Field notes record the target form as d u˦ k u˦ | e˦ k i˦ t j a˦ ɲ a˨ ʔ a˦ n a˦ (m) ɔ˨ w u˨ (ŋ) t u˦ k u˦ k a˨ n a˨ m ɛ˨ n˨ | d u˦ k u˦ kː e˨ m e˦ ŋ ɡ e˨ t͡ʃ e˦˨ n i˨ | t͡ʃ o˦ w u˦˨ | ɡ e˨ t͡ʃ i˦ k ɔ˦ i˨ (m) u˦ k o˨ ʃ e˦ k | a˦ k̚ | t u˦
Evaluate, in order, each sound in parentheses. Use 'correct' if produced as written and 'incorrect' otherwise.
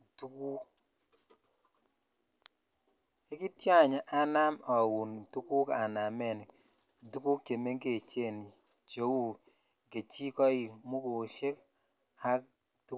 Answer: correct, incorrect, correct

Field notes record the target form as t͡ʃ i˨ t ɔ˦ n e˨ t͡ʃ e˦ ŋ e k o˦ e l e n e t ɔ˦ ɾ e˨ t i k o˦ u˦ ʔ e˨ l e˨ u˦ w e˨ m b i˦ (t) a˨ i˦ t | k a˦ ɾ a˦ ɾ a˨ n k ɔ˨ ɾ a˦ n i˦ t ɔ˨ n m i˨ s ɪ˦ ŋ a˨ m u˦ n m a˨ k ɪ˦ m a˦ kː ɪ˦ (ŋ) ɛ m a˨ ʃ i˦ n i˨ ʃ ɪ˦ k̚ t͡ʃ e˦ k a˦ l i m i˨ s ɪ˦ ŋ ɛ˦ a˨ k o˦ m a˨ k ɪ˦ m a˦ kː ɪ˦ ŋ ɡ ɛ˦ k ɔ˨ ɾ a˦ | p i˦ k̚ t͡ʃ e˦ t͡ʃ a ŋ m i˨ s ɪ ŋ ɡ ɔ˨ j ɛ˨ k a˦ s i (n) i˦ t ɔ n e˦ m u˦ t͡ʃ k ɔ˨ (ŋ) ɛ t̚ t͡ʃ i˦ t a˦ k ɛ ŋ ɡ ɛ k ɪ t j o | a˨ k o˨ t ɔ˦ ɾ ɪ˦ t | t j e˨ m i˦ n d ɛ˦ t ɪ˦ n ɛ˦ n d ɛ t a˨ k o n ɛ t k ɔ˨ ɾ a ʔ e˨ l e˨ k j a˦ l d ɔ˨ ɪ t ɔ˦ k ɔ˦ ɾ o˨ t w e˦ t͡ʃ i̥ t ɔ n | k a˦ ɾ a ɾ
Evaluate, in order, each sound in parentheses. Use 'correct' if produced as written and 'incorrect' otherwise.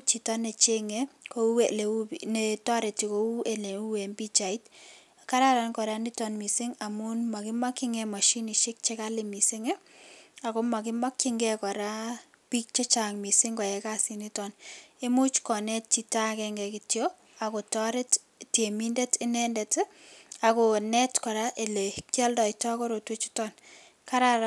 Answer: incorrect, correct, correct, incorrect

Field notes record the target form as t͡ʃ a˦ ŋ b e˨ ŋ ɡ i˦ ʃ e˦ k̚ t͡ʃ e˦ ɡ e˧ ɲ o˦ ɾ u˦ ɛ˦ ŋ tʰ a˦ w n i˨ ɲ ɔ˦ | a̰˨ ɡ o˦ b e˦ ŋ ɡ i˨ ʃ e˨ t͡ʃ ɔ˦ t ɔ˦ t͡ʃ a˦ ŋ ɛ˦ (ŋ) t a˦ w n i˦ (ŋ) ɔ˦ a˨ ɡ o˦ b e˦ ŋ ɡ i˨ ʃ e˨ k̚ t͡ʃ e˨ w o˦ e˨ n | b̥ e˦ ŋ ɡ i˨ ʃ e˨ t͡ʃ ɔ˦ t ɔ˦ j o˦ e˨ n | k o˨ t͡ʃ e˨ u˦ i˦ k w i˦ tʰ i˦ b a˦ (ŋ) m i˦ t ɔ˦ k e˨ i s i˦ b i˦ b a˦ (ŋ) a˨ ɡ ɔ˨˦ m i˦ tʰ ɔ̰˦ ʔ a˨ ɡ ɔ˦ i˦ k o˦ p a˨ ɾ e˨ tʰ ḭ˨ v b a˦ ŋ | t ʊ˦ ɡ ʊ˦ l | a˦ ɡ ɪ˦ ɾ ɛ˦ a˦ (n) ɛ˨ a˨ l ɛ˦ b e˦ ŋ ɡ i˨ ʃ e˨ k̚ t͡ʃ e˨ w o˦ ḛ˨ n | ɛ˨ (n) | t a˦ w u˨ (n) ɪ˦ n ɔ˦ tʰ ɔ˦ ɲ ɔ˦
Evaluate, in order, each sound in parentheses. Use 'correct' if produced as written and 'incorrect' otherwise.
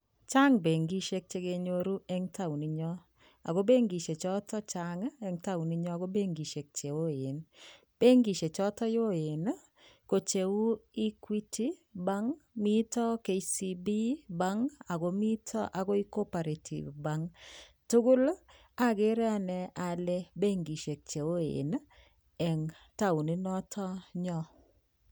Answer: correct, incorrect, correct, correct, correct, incorrect, correct

